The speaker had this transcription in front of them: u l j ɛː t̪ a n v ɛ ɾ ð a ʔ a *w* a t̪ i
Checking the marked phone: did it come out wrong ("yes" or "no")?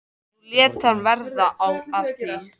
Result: no